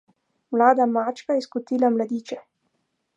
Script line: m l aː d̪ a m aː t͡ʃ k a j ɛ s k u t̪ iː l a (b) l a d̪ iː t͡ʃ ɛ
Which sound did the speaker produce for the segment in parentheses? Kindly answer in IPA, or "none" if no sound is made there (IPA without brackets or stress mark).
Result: m